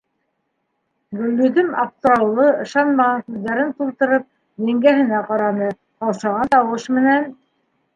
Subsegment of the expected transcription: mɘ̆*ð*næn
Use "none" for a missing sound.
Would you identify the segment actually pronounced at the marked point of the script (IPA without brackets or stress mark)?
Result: none